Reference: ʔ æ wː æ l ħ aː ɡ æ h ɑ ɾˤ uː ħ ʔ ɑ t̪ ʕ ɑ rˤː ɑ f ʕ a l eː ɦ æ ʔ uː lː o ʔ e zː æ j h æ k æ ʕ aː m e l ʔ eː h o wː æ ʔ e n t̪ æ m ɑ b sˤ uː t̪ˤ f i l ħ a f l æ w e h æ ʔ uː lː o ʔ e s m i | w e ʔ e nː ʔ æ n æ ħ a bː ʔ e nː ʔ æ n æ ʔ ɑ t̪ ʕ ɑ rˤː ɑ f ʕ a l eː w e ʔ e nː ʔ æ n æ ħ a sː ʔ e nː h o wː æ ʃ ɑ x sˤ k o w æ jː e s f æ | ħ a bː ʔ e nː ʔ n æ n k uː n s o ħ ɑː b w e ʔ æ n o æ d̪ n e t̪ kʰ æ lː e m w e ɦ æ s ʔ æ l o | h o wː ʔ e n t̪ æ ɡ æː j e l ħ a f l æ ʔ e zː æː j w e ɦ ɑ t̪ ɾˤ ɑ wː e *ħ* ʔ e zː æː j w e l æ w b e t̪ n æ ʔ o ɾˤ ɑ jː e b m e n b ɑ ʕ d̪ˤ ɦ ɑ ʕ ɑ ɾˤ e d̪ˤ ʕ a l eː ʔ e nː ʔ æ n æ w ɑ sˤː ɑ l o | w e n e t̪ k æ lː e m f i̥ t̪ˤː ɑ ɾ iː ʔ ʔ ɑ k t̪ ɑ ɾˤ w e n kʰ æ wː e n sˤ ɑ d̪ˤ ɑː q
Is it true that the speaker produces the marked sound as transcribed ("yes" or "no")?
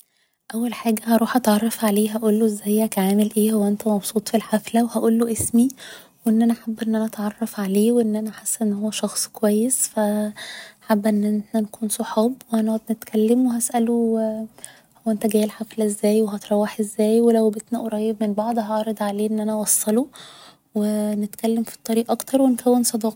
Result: yes